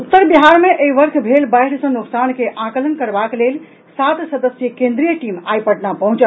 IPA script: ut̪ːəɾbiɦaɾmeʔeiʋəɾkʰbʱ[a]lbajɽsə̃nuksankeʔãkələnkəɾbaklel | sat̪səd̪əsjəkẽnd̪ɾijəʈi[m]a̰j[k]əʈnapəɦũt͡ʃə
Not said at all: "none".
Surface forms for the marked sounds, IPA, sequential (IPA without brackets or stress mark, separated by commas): e, m, p